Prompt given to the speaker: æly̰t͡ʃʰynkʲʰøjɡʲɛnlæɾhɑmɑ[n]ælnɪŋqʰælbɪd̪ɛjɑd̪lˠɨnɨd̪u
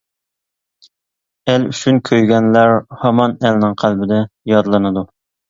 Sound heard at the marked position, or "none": n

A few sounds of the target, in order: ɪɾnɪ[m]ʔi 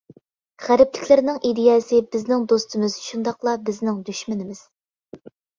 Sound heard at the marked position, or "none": ŋ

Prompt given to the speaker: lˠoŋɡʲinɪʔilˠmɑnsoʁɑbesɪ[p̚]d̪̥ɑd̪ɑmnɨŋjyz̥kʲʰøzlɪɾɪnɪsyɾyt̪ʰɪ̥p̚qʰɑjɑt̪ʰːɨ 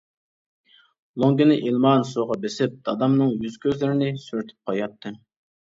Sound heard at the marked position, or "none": p̚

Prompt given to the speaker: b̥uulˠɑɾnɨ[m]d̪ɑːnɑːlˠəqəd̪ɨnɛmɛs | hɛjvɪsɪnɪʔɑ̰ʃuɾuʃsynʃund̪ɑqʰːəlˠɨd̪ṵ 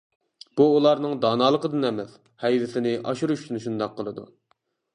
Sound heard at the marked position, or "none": ŋ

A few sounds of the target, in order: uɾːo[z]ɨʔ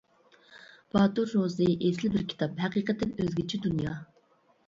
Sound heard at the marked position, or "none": z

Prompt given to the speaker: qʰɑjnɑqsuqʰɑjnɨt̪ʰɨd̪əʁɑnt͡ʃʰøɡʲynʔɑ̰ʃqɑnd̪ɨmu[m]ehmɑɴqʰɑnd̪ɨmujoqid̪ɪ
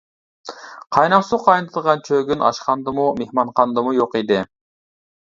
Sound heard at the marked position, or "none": m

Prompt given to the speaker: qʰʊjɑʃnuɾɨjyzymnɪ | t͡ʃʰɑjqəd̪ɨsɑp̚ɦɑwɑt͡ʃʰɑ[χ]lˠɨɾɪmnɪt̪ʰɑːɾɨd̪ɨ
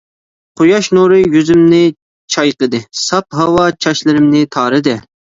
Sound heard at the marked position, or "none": ʃ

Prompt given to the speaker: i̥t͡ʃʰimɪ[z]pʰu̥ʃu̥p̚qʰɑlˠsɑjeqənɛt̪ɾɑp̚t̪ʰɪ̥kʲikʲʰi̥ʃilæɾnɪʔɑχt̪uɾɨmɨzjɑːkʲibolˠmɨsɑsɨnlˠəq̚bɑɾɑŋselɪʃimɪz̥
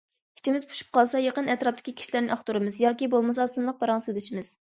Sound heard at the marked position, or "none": z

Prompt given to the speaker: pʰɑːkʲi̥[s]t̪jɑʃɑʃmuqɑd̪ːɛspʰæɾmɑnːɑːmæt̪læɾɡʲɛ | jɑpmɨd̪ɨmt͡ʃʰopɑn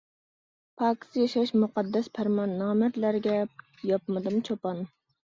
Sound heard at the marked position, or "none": s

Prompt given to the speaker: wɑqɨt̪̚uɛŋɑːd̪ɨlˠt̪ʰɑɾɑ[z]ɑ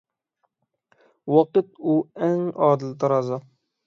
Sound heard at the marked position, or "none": z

